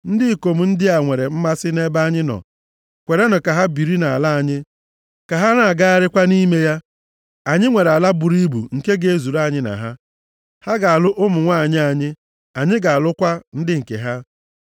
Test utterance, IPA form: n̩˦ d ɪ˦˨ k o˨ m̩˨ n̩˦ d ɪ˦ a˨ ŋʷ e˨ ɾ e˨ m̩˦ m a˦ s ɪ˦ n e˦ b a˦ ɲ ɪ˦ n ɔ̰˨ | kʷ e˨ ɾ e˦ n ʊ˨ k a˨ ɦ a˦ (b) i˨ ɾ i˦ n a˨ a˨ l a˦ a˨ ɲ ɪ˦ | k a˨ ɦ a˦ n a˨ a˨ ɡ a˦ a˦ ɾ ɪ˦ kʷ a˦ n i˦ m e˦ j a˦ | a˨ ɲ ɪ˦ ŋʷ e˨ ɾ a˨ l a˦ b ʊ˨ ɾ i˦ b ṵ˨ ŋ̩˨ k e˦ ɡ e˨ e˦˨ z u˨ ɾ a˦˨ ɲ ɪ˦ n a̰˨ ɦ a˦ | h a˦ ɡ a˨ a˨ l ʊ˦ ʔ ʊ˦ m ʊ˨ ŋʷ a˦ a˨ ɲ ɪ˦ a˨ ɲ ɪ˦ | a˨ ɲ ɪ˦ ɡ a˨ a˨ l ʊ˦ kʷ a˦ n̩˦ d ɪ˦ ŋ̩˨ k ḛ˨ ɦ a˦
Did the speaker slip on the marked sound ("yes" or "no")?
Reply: no